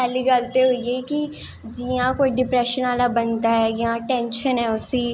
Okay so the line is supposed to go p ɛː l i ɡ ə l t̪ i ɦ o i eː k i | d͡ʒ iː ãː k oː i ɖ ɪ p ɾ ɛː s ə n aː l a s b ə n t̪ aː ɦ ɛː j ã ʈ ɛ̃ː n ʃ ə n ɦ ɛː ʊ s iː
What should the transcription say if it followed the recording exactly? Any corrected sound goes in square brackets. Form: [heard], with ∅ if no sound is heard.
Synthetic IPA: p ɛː l i ɡ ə l t̪ [e] ɦ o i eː k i | d͡ʒ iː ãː k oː i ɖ ɪ p ɾ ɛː [ʃ] ə n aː l a [∅] b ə n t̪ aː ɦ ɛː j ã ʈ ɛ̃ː n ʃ ə n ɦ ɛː ʊ s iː